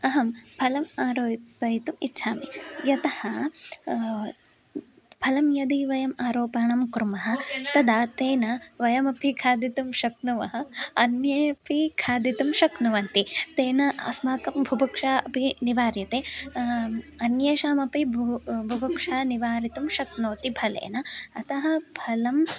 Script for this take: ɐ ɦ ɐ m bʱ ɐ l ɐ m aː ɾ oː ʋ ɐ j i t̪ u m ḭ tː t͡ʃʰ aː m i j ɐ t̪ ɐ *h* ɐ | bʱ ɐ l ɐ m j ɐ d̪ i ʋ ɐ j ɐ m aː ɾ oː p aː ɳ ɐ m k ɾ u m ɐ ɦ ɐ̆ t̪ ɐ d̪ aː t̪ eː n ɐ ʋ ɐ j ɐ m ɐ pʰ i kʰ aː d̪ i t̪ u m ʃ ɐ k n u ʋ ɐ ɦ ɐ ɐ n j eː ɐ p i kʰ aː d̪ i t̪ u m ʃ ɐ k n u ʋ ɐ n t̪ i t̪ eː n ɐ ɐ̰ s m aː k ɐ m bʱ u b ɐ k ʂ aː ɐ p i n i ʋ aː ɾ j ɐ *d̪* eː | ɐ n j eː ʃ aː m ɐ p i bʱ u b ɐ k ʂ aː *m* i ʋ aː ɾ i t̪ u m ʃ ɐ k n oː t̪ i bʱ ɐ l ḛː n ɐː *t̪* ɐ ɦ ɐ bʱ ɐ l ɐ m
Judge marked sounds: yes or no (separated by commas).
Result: yes, no, no, yes